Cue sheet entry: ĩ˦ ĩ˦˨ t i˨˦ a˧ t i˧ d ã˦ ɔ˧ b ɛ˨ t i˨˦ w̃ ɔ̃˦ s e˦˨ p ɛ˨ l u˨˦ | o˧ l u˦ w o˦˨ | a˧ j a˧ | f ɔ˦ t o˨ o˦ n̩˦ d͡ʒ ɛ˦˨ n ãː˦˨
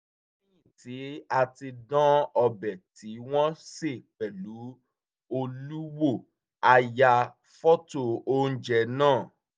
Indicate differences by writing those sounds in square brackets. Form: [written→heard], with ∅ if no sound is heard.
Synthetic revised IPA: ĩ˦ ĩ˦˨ t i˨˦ a˧ t i˧ d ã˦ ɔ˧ b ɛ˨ t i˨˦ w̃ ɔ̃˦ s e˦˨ p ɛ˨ l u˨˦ | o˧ l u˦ w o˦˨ | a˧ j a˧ | f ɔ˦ t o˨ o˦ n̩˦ d͡ʒ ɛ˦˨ n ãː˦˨